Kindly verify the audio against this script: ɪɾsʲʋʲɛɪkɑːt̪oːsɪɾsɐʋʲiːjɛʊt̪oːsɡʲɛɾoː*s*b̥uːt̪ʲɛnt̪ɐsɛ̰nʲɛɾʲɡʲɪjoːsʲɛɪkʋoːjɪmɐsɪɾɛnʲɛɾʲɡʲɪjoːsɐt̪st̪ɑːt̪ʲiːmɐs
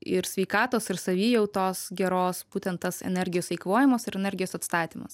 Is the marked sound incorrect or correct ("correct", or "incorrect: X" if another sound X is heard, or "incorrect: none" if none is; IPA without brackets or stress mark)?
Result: correct